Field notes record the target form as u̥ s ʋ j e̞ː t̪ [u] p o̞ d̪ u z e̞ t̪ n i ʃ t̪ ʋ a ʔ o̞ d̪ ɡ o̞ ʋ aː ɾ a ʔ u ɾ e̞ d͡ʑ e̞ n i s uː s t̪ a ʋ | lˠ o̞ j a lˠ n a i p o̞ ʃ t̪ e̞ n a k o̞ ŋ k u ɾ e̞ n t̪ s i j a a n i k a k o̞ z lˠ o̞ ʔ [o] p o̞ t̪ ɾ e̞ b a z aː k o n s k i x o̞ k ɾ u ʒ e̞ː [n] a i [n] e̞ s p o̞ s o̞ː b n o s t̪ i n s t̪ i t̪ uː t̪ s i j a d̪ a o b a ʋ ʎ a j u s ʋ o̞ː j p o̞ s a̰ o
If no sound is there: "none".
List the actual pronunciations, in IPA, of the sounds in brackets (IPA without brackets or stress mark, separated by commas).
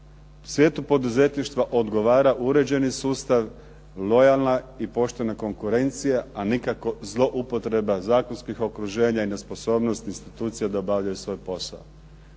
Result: u, u, ɲ, n